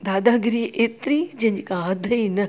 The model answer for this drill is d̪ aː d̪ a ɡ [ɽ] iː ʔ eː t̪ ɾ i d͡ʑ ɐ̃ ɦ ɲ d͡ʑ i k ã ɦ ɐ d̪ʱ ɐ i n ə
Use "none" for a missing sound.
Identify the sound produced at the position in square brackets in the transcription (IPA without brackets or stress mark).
ɾ